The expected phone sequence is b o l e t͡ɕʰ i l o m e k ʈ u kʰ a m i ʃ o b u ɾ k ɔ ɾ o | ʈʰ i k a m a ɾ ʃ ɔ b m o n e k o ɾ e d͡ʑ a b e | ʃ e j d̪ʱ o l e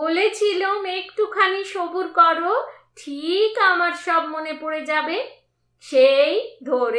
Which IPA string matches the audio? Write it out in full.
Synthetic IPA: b o l e t͡ɕʰ i l o m e k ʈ u kʰ a n i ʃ o b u ɾ k ɔ ɾ o | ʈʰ i k a m a ɾ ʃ ɔ b m o n e p o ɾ e d͡ʑ a b e | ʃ e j d̪ʱ o ɾ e